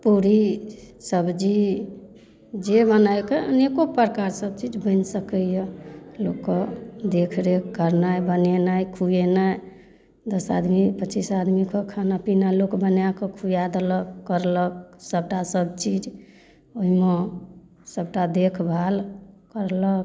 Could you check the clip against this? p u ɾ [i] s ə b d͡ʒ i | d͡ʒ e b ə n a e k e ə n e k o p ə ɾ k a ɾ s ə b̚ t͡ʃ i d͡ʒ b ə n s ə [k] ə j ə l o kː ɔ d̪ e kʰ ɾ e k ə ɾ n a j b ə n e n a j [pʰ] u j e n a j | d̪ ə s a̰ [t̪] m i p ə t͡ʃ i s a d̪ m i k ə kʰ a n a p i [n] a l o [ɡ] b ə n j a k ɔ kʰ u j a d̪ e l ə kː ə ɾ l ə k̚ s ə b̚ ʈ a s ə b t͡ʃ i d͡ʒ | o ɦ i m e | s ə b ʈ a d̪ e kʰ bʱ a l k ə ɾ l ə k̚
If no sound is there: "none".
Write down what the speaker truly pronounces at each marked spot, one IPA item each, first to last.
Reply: i, k, kʰ, d̪, n, k

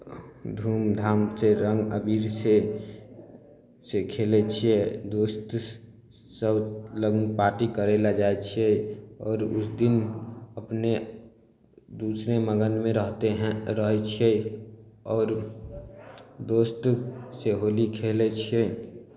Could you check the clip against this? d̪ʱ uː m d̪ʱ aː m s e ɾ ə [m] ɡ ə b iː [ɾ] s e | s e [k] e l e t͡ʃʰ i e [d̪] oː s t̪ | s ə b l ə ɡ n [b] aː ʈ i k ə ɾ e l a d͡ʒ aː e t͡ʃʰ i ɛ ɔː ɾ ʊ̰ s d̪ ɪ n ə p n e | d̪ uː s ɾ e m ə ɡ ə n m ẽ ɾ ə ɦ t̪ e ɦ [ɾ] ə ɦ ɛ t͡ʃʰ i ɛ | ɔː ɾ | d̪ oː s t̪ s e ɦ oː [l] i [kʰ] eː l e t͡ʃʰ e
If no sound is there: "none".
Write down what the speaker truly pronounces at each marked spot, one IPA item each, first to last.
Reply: ŋ, ɾ, kʰ, d̪, p, ɾ, l, kʰ

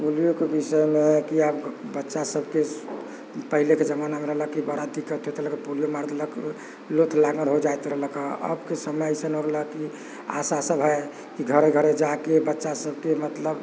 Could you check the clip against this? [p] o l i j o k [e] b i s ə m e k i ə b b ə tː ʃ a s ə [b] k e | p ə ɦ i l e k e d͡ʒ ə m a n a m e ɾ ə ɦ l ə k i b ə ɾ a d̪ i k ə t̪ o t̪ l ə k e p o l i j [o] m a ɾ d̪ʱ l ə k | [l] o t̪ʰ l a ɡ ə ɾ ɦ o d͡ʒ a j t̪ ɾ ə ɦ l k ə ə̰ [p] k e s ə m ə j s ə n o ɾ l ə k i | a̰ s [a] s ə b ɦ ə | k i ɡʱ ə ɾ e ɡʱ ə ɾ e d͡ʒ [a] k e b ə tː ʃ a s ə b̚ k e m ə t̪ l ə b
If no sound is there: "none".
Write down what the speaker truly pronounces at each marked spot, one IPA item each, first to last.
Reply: p, e, b, o, l, b, a, a

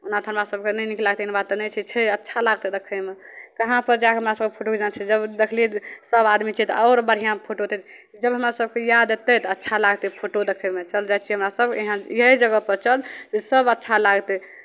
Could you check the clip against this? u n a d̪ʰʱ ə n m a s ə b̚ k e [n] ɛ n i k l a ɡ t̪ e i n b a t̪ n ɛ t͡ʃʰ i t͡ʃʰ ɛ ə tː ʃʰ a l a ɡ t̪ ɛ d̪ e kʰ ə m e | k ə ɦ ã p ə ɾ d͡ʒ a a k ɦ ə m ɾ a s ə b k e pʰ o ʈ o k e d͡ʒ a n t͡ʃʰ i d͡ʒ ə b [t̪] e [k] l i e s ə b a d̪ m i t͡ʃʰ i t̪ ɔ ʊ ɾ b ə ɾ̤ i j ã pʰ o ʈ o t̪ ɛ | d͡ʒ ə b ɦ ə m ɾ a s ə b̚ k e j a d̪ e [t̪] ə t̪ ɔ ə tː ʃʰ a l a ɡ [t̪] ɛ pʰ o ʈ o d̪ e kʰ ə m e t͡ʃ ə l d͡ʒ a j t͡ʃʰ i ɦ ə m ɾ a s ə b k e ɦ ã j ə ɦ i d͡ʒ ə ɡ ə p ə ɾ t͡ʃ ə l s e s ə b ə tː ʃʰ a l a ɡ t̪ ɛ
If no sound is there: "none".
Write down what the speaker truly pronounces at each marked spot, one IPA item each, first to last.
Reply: n, d̪, kʰ, t̪, t̪

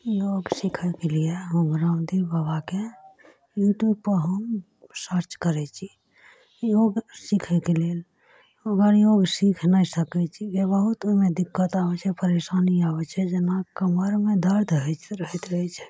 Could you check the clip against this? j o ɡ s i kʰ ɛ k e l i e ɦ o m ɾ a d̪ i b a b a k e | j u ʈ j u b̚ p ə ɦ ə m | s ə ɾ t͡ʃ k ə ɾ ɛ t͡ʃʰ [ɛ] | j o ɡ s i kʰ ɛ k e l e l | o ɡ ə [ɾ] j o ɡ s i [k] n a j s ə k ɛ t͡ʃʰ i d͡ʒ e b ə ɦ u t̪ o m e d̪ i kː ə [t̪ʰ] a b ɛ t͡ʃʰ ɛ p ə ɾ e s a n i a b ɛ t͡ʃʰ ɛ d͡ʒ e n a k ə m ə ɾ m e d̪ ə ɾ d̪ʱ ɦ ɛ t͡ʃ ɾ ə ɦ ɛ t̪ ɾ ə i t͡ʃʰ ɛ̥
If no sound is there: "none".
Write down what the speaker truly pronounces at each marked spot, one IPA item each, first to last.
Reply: i, ɾ, kʰ, t̪

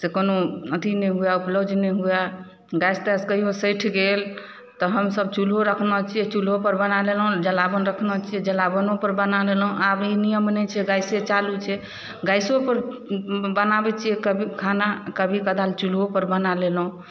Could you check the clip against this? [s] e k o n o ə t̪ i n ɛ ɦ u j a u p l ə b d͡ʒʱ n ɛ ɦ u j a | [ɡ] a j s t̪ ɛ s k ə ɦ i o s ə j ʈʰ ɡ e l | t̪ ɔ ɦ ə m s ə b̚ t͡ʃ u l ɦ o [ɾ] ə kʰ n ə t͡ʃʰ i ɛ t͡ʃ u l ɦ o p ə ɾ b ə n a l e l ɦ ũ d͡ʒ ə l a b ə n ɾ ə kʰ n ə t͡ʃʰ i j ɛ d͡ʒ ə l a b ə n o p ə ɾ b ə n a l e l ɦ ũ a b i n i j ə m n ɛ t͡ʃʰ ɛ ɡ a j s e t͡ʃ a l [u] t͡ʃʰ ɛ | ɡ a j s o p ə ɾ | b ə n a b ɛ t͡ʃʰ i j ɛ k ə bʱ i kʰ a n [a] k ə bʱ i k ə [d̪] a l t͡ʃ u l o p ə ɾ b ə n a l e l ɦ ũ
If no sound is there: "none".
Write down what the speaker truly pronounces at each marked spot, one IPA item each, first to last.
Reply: s, ɡ, ɾ, u, a, d̪

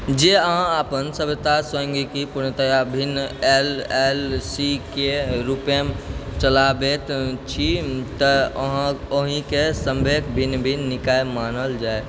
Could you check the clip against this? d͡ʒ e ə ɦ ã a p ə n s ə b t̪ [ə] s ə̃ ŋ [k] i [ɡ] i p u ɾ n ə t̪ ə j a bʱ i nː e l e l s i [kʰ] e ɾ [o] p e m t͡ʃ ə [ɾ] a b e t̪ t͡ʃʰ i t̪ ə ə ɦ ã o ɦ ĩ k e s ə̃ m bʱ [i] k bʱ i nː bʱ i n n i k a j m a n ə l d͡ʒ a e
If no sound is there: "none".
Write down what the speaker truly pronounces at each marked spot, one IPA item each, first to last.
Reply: a, ɡ, k, k, u, l, e

